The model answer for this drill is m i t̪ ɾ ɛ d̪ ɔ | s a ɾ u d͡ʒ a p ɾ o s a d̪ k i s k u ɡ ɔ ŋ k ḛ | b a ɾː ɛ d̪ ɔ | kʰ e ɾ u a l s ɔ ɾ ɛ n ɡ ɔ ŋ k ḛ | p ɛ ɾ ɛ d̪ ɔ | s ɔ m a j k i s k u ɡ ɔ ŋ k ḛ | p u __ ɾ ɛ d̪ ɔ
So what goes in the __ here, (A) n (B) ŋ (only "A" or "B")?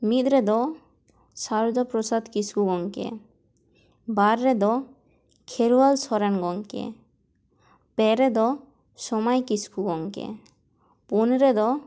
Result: A